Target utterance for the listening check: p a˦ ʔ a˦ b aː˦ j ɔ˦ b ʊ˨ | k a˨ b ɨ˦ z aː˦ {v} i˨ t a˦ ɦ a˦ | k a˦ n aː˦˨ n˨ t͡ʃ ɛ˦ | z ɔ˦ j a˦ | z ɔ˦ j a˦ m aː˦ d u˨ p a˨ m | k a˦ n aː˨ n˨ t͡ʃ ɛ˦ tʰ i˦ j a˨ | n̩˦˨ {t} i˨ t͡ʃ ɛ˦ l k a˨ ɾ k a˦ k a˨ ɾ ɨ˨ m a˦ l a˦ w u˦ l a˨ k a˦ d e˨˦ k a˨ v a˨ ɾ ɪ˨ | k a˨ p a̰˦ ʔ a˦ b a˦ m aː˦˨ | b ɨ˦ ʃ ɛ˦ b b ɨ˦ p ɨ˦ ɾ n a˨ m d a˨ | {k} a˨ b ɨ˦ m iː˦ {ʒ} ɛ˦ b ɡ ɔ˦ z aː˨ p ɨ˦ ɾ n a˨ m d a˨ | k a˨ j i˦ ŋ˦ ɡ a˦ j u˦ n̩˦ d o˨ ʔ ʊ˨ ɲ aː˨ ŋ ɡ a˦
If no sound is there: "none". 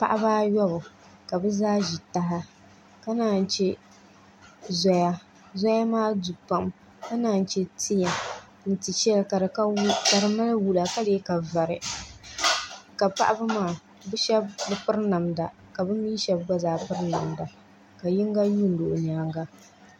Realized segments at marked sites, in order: ʒ, t, k, ʃ

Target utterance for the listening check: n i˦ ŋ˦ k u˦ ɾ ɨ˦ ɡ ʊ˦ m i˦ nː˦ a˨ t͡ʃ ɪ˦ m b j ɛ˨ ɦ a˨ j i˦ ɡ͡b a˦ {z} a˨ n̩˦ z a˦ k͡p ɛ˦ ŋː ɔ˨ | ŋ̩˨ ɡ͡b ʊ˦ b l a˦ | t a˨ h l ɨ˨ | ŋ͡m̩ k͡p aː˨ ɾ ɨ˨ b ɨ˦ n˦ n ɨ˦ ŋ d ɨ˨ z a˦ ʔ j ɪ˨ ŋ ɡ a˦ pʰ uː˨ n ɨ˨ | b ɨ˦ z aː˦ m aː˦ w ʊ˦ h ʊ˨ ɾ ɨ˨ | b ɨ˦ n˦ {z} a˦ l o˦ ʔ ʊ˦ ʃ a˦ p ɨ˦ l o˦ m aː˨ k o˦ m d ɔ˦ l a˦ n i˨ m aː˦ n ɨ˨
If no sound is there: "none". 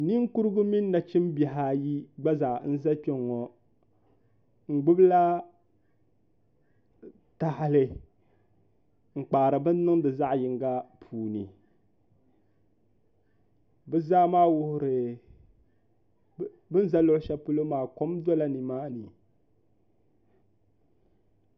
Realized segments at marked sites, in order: z, z

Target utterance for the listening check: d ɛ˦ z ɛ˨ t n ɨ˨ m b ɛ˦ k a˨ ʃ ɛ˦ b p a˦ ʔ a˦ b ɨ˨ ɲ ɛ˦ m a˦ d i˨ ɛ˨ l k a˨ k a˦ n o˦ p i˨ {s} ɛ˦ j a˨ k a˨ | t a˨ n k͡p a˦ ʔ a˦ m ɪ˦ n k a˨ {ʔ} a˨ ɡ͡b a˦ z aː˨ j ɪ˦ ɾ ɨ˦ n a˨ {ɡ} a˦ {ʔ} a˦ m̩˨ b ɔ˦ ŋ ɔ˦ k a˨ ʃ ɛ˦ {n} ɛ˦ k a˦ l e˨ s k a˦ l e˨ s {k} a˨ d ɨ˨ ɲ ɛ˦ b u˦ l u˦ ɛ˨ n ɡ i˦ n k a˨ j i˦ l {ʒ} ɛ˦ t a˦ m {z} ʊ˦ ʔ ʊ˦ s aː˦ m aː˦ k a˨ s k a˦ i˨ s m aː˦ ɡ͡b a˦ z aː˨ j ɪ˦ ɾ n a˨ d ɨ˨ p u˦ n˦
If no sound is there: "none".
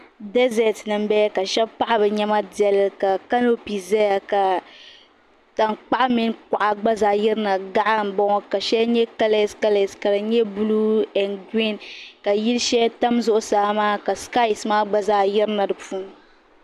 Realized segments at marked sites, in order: z, ʔ, ɡ, ʔ, ɲ, k, ʃ, z

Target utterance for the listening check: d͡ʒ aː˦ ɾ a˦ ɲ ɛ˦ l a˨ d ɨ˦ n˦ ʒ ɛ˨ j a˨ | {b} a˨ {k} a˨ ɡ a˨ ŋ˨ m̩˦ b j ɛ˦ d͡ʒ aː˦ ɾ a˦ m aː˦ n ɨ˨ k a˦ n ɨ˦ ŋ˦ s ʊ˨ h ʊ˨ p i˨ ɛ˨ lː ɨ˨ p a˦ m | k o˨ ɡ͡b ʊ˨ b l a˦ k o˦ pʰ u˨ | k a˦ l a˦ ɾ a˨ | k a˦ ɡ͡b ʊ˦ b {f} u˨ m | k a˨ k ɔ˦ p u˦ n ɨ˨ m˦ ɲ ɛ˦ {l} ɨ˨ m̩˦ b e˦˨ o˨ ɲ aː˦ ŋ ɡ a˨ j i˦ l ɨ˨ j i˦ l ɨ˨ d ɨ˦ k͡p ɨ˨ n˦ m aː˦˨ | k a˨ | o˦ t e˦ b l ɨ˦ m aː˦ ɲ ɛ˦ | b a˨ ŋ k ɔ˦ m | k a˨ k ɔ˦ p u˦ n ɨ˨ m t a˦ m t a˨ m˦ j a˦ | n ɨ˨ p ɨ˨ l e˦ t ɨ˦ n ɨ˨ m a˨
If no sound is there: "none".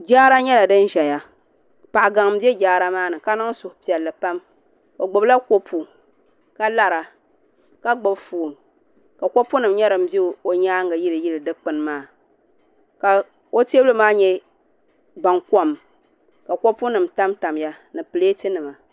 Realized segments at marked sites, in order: p, ʔ, f, ɾ

